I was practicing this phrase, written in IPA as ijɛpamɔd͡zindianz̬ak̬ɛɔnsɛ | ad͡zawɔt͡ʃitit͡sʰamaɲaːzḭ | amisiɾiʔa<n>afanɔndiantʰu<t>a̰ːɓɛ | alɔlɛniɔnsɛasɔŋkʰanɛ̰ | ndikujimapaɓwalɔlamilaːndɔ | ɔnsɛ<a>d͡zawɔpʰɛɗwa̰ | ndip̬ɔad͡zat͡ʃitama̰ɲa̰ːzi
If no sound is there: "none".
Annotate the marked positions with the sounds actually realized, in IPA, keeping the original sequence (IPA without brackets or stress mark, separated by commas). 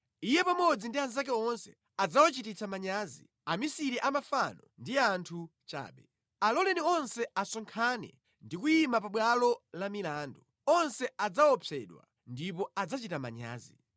m, t͡ʃ, a